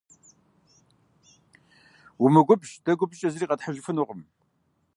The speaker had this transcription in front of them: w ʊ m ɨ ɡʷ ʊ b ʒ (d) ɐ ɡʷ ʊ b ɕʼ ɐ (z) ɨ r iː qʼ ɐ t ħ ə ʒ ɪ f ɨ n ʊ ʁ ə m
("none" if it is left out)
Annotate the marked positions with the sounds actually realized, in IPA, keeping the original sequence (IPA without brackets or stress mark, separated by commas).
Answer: d, z